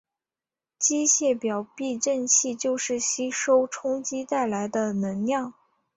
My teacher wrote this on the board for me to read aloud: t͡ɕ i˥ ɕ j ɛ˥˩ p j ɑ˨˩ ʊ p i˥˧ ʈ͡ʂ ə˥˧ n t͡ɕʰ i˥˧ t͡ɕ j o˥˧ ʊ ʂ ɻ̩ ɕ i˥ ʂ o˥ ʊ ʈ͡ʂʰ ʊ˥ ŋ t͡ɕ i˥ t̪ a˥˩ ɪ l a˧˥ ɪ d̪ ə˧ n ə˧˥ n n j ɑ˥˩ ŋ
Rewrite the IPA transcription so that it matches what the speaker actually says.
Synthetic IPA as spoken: t͡ɕ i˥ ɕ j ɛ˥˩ p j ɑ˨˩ ʊ p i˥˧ ʈ͡ʂ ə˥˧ n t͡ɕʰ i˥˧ t͡ɕ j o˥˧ ʊ ʂ ɻ̩ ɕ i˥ ʂ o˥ ʊ ʈ͡ʂʰ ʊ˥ ŋ t͡ɕ i˥ t̪ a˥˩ ɪ l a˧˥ ɪ d̪ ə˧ n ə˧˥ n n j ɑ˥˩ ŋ

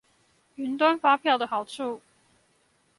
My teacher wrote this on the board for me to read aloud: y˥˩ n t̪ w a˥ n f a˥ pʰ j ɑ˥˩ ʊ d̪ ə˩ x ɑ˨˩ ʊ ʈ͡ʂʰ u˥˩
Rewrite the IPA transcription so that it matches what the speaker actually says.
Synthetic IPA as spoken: y˧˥ n t̪ w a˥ n f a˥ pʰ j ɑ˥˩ ʊ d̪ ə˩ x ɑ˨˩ ʊ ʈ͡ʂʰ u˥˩

